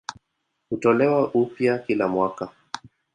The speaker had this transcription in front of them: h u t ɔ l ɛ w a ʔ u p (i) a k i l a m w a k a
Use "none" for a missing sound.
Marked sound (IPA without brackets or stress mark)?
j